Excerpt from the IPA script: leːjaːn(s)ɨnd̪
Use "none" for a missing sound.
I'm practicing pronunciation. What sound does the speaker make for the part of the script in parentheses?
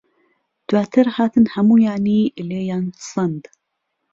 s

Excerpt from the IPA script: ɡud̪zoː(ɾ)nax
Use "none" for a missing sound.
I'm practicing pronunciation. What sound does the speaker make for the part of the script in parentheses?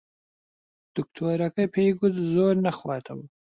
ɾ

